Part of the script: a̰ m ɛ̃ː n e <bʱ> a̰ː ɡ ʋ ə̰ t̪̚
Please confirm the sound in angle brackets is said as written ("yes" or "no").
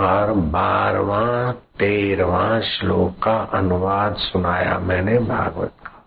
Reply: yes